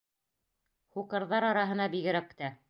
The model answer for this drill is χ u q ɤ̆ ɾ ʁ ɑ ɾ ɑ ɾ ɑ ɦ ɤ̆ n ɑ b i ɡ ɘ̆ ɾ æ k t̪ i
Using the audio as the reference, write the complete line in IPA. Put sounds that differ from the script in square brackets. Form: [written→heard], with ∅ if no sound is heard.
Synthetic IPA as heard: χ u q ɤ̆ ɾ [ʁ→ð] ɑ ɾ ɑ ɾ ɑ ɦ ɤ̆ n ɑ b i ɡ ɘ̆ ɾ æ k t̪ [i→æ]

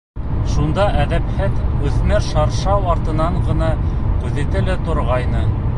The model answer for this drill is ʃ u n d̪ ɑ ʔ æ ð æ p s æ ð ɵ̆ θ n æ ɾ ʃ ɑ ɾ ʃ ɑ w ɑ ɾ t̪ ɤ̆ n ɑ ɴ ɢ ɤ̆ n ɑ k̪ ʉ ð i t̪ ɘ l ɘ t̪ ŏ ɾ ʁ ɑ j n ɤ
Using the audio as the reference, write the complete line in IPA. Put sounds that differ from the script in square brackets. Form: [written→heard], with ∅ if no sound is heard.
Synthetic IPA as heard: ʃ u n d̪ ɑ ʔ æ ð æ p [s→h] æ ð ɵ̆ θ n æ ɾ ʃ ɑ ɾ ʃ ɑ w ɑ ɾ t̪ ɤ̆ n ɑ ɴ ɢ ɤ̆ n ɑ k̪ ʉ ð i t̪ ɘ l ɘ t̪ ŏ ɾ ʁ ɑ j n ɤ

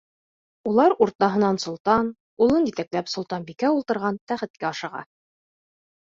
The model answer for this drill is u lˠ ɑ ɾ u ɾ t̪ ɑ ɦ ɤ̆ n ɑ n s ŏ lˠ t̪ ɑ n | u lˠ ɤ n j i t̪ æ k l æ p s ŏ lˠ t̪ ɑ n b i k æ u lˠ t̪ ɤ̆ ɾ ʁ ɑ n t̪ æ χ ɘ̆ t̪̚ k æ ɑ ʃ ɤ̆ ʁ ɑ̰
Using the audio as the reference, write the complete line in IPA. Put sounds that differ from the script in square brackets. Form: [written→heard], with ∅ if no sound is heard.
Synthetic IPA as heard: u lˠ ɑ ɾ u ɾ t̪ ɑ ɦ ɤ̆ n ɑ n s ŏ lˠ t̪ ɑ n | u lˠ ɤ n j i t̪ æ k l æ p s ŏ lˠ t̪ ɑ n b i k æ u lˠ t̪ ɤ̆ ɾ ʁ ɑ n t̪ æ χ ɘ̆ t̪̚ k æ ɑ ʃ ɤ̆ ʁ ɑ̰

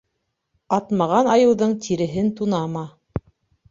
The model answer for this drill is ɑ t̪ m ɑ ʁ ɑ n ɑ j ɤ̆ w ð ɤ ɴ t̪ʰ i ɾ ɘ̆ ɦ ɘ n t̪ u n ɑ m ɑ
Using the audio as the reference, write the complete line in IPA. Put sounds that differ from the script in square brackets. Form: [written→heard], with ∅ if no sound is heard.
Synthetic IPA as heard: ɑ t̪ m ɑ ʁ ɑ n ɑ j ɤ̆ w ð ɤ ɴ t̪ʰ i ɾ ɘ̆ ɦ ɘ n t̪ u n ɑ m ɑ

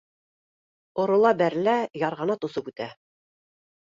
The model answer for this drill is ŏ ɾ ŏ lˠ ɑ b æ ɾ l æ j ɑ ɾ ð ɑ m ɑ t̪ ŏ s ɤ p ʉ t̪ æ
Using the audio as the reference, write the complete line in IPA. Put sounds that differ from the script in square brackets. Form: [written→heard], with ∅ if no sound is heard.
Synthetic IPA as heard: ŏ ɾ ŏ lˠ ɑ b æ ɾ l æ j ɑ ɾ [ð→ʁ] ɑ [m→n] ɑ t̪ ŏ s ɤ p ʉ t̪ æ

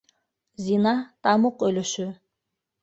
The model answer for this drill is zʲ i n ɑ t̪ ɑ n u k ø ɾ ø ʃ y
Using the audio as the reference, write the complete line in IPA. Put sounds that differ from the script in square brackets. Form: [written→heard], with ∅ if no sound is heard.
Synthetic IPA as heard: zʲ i n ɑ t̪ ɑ [n→m] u [k→q] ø [ɾ→l] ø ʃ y

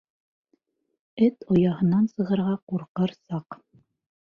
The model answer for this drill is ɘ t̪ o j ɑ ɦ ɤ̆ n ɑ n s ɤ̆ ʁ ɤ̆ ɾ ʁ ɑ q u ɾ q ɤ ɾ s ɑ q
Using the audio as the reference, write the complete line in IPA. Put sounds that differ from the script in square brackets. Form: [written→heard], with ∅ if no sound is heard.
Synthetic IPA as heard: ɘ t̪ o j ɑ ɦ ɤ̆ n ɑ n s ɤ̆ ʁ ɤ̆ ɾ ʁ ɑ q u ɾ q ɤ ɾ s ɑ q

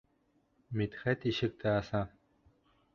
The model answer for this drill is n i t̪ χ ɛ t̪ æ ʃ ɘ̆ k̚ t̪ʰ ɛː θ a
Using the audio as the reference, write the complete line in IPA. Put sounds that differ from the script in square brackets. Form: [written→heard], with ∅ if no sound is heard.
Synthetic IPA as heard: [n→m] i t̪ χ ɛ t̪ [æ→i] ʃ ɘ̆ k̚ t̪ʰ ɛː [θ→s] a

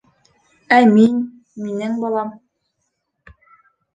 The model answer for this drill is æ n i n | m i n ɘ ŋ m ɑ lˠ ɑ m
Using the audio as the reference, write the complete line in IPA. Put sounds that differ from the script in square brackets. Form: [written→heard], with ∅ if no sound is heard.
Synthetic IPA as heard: æ [n→m] i n | m i n ɘ ŋ [m→b] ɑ lˠ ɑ m

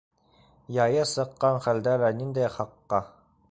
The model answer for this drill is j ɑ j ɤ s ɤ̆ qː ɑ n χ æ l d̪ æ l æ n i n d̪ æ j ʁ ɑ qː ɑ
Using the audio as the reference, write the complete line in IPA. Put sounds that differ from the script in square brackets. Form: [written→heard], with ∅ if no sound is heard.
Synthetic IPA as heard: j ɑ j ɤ s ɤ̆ qː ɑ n χ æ l d̪ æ l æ n i n d̪ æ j [ʁ→χ] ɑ qː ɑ

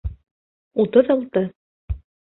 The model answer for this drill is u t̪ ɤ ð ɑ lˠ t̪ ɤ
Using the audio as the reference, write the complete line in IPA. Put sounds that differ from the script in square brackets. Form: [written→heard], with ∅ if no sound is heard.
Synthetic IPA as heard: u t̪ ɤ ð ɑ lˠ t̪ ɤ

